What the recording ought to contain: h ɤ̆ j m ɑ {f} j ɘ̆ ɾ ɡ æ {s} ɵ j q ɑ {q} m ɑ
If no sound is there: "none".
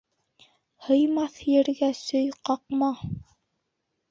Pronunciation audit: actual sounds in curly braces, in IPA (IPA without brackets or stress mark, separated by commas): θ, s, q